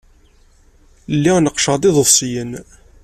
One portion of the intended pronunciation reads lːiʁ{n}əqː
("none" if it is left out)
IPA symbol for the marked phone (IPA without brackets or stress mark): n